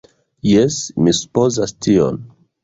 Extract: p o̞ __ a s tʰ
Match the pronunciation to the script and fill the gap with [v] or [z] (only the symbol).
z